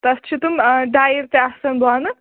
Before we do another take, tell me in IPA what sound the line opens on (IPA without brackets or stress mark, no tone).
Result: t̪